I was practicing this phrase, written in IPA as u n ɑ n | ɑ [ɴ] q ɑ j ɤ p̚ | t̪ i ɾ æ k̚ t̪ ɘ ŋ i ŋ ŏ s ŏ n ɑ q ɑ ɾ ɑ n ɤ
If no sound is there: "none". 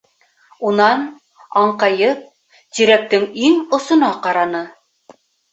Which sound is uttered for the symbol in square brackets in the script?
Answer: ɴ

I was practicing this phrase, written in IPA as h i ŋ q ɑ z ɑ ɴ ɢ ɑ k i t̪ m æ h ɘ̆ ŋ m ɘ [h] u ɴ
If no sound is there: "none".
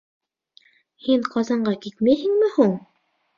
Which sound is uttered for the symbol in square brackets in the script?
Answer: h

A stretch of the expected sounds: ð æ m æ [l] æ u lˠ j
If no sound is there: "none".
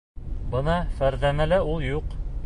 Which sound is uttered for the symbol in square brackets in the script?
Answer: l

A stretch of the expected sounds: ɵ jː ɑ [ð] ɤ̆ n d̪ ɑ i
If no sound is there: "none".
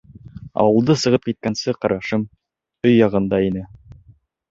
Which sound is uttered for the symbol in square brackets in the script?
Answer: ʁ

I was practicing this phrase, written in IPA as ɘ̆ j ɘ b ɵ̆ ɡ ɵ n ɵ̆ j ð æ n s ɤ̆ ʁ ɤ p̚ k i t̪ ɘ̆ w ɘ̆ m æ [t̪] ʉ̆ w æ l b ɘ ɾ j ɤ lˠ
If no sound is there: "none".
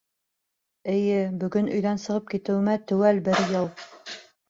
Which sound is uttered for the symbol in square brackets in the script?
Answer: t̪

